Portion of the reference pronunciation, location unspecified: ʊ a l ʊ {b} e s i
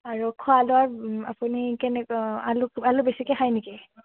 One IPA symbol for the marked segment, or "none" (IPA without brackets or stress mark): b